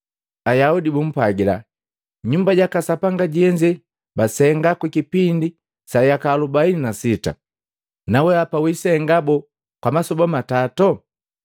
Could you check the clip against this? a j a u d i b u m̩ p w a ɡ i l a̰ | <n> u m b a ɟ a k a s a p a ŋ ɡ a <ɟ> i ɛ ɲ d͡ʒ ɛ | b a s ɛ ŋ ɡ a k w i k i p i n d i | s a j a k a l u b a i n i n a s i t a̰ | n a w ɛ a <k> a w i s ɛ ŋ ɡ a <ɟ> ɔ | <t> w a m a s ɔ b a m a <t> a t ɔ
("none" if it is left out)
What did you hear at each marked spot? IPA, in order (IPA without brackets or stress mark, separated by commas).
ɲ, ɟ, p, b, k, t